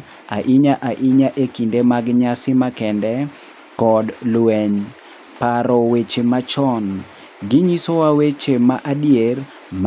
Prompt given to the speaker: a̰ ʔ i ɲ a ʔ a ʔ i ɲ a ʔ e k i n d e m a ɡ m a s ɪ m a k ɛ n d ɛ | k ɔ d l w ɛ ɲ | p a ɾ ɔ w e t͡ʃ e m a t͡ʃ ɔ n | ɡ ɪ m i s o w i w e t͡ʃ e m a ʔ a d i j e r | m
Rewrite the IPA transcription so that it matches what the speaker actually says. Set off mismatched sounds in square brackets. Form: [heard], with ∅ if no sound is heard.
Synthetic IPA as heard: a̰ ʔ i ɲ a ʔ a ʔ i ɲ a ʔ e k i n d e m a ɡ [ɲ] a s ɪ m a k ɛ n d ɛ | k ɔ d l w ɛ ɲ | p a ɾ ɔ w e t͡ʃ e m a t͡ʃ ɔ n | ɡ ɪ [ɲ] i s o w [a] w e t͡ʃ e m a ʔ a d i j e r | m